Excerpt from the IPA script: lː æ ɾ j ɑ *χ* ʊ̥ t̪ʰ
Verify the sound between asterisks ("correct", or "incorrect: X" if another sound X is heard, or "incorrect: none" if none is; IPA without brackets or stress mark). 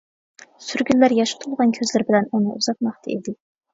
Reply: incorrect: ʃ